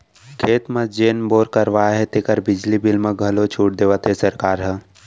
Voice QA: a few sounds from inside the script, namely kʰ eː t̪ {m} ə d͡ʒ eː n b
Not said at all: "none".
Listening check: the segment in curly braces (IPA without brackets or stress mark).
m